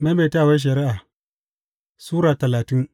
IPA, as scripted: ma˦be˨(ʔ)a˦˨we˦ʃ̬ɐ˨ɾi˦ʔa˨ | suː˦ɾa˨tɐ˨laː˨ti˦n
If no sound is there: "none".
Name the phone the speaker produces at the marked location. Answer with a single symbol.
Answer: t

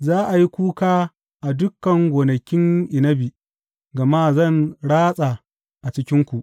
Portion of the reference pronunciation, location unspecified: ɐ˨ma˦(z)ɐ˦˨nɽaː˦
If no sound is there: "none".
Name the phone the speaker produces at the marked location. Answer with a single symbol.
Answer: z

